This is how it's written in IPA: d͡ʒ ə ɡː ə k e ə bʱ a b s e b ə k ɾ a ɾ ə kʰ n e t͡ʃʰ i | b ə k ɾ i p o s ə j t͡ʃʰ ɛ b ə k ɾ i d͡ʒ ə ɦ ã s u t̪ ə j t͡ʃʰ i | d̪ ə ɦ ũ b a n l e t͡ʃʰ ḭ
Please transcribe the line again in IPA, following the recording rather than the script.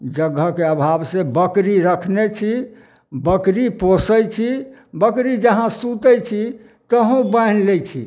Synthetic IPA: d͡ʒ ə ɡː ə k e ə bʱ a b s e b ə k ɾ i ɾ ə kʰ n e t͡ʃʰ i | b ə k ɾ i p o s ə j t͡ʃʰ i b ə k ɾ i d͡ʒ ə ɦ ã s u t̪ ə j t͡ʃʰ i | t̪ ə ɦ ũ b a n l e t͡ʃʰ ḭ